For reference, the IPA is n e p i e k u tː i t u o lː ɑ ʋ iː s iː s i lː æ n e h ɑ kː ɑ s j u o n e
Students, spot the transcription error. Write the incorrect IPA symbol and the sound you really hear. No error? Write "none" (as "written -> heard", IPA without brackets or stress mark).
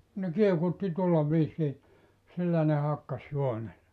p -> k